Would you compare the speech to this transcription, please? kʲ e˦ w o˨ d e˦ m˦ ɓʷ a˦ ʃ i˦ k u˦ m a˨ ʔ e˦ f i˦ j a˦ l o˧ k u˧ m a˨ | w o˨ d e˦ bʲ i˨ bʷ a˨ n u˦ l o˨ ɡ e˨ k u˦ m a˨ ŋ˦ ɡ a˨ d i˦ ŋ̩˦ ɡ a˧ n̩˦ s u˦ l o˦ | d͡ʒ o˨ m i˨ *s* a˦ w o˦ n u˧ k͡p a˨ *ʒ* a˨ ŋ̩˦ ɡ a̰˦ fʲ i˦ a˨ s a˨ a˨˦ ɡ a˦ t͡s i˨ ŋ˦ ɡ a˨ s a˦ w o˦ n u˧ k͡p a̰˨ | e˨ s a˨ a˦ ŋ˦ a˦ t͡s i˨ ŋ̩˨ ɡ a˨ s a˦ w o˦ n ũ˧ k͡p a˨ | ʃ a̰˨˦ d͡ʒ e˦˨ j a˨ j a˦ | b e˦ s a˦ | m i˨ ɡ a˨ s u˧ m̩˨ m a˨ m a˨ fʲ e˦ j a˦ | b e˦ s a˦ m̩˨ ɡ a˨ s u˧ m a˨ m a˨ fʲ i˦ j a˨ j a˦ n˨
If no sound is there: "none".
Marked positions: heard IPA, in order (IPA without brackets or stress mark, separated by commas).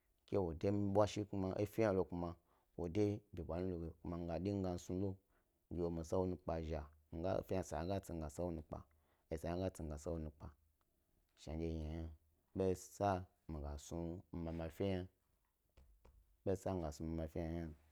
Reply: s, ʒ